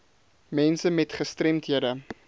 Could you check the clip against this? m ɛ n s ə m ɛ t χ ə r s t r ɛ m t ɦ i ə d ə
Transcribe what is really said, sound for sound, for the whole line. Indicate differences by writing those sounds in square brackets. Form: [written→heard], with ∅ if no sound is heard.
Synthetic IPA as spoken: m ɛ n s ə m ɛ t χ ə [r→∅] s t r ɛ m t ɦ i ə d ə